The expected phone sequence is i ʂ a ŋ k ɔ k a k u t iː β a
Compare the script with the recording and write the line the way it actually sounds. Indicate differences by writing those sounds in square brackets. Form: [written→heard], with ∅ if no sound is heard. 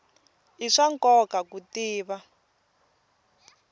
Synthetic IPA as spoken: i ʂ a ŋ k ɔ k a k u t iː β a